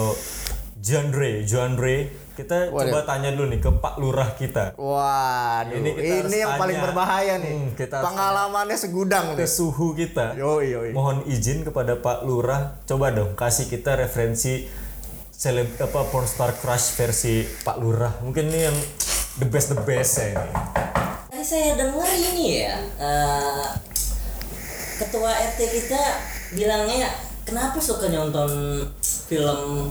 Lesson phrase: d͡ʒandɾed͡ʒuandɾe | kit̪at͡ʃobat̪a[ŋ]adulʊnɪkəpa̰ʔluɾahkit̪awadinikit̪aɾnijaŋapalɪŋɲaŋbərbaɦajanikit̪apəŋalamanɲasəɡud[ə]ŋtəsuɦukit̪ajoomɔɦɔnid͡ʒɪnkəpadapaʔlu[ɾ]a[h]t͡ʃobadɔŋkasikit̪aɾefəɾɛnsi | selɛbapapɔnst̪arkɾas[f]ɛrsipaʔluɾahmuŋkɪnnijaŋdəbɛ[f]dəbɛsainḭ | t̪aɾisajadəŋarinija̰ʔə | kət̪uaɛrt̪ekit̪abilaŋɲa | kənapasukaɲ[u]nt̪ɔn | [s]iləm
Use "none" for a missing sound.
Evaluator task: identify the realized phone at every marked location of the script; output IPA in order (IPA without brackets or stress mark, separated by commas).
ɲ, a, ɾ, h, f, s, ɔ, f